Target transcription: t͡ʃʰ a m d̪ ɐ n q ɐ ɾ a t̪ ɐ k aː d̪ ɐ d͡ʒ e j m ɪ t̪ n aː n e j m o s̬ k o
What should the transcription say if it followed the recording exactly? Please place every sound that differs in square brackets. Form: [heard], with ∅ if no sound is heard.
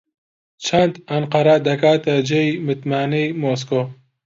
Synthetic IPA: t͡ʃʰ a [n] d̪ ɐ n q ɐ ɾ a [d̪] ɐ k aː [t̪] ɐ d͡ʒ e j m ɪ t̪ [m] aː n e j m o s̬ k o